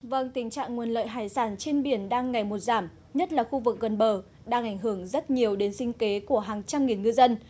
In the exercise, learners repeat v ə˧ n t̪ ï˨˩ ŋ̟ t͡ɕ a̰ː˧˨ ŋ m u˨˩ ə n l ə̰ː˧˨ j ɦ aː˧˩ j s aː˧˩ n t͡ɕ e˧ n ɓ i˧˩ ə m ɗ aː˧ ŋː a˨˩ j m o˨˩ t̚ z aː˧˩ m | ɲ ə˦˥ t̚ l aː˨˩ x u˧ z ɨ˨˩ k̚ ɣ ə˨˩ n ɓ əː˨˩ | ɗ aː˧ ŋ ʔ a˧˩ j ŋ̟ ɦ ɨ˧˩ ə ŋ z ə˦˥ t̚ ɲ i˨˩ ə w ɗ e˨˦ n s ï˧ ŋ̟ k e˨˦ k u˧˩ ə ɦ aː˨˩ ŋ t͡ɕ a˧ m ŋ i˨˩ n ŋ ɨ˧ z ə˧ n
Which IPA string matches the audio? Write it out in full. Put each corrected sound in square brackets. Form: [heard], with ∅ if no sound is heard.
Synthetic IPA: v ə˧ [ŋ] t̪ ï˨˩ ŋ̟ t͡ɕ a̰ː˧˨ ŋ [ŋ] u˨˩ ə n l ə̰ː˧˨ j ɦ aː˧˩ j s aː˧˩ n t͡ɕ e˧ n ɓ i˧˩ ə [n] ɗ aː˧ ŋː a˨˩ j m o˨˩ t̚ z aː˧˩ m | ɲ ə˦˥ t̚ l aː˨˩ x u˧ [v] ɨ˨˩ k̚ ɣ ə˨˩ n ɓ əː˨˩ | ɗ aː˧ ŋ ʔ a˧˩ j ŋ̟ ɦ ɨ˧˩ ə ŋ z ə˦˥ t̚ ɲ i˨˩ ə w ɗ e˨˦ n s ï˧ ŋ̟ k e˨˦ k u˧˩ ə ɦ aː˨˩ ŋ t͡ɕ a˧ m ŋ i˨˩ n ŋ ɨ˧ z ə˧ n